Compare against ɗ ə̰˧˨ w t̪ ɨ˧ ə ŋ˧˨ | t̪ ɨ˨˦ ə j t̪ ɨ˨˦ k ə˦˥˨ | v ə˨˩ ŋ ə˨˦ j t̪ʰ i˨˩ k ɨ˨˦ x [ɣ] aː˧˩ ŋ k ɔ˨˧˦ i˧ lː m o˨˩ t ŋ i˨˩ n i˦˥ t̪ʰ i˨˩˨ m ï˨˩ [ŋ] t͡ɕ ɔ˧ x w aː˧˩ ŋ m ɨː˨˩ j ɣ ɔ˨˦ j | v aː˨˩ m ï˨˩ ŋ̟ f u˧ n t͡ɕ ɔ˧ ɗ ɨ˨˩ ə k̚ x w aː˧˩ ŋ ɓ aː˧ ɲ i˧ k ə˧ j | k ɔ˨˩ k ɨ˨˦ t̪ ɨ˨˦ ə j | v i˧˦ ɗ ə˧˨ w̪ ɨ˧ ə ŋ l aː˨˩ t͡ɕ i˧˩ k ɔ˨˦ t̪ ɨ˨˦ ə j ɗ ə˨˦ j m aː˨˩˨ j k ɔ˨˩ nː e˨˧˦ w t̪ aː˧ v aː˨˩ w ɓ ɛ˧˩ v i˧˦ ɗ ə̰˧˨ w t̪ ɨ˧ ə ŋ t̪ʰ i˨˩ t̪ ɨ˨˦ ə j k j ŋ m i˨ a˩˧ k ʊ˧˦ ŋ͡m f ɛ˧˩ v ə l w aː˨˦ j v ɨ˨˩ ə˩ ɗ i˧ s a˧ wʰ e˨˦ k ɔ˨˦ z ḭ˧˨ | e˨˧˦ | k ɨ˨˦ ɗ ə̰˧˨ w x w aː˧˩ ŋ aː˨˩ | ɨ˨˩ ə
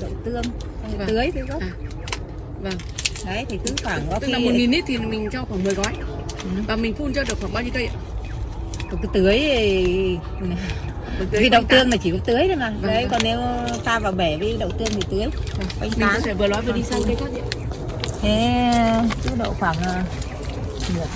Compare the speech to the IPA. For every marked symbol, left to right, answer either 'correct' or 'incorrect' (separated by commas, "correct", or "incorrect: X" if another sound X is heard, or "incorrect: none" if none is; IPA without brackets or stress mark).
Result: incorrect: w, correct